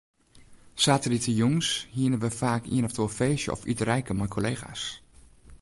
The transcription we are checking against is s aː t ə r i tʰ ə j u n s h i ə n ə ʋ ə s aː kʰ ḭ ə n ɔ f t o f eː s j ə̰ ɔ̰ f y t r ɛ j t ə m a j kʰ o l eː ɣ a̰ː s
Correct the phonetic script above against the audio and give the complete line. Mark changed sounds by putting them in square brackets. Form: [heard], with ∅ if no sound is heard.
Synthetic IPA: s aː t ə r i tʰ ə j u [ŋ] s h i ə n ə ʋ ə [f] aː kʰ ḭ ə n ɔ f t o f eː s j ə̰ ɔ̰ f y t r ɛ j [k] ə m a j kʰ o l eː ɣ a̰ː s

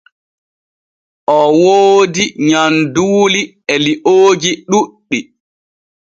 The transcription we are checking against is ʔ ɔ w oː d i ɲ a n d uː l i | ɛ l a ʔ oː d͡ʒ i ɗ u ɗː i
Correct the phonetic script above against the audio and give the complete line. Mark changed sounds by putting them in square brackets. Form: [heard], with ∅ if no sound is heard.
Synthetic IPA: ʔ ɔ w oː d i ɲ a n d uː l i | ɛ l [i] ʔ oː d͡ʒ i ɗ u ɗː i

